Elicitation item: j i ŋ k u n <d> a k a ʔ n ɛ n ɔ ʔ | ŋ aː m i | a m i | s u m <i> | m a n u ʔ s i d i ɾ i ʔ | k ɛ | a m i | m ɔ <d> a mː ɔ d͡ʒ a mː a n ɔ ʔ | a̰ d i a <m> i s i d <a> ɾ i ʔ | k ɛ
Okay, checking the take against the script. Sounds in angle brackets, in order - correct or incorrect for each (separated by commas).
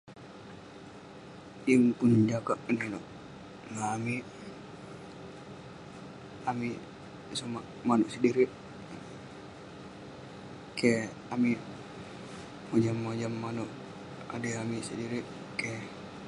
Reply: incorrect, incorrect, incorrect, correct, incorrect